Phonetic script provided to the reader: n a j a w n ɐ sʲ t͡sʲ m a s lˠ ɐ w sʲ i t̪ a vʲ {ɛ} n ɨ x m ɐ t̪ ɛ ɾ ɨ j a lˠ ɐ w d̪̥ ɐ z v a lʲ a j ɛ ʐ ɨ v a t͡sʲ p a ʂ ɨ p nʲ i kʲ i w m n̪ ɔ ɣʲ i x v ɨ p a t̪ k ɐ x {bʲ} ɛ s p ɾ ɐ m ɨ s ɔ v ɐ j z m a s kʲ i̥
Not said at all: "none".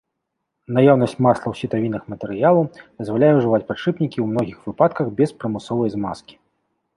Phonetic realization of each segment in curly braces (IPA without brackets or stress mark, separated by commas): i, bʲ